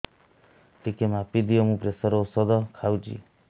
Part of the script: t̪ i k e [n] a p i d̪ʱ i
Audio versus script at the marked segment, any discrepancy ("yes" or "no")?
yes